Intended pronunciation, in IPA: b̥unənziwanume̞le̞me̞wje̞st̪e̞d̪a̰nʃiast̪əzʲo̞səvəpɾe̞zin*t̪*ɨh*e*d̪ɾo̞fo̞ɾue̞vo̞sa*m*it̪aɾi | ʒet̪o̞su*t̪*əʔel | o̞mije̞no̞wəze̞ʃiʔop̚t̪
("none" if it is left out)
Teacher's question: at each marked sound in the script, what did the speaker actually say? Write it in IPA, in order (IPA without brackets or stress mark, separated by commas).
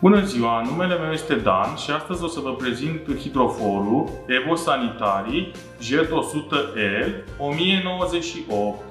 t̪, i, n, t̪